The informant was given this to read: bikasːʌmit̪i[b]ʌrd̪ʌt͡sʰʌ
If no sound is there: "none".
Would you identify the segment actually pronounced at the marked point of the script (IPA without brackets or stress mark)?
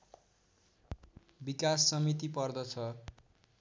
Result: p